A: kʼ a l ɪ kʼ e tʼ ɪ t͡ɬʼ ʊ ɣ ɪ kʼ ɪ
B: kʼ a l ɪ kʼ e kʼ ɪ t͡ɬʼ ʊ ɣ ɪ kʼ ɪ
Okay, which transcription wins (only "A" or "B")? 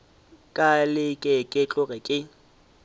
B